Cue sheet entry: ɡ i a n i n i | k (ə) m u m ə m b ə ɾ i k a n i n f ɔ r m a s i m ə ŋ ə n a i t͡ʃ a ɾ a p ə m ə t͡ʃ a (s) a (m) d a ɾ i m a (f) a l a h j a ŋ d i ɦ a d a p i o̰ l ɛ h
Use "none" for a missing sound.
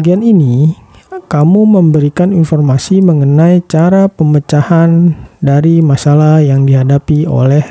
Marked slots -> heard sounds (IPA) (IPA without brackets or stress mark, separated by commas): a, h, n, s